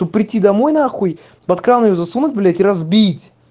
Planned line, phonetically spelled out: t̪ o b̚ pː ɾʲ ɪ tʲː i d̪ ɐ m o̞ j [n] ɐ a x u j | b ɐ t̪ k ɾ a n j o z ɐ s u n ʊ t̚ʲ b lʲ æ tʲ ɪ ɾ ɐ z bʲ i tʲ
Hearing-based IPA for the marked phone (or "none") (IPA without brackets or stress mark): n